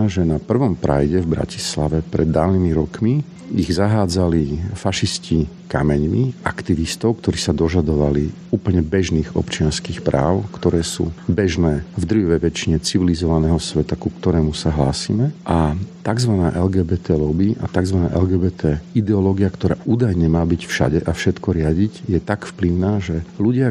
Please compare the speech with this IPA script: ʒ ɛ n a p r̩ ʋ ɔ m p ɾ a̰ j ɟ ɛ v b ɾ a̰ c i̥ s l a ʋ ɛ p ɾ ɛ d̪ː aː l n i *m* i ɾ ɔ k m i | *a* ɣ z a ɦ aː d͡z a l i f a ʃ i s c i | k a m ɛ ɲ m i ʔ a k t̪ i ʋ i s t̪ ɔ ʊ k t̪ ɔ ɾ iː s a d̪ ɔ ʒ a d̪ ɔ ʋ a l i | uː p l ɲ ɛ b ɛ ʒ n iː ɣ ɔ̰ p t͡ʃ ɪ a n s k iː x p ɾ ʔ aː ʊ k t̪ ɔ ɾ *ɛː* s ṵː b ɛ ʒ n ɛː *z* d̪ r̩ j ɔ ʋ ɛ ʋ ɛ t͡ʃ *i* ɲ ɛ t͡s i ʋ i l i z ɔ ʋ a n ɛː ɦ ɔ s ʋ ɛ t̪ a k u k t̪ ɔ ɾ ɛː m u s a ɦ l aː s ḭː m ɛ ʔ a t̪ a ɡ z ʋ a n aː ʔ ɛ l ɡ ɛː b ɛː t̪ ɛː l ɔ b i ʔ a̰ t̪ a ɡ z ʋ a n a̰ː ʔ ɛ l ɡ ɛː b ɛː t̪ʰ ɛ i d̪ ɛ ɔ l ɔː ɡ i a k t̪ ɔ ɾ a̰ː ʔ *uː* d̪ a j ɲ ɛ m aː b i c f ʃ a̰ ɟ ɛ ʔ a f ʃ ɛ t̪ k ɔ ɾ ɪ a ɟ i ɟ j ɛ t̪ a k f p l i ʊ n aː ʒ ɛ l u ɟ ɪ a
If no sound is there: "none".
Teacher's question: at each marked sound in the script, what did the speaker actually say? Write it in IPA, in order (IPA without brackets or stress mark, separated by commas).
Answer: m, i, ɛː, v, i, uː